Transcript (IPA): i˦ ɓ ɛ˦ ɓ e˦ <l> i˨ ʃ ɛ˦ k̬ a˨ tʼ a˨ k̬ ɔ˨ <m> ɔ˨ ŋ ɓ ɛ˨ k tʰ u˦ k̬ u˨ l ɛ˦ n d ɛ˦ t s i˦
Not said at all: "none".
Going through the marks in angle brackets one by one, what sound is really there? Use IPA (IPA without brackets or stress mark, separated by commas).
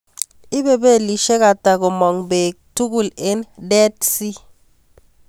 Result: l, m